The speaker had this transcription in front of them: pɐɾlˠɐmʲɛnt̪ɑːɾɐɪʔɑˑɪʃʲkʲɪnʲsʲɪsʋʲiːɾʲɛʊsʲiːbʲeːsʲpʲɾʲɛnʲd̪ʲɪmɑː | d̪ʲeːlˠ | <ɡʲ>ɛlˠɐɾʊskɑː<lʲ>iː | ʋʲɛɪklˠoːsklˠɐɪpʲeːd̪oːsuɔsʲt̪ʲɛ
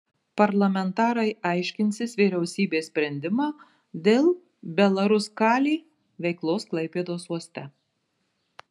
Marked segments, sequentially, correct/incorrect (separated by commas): incorrect, correct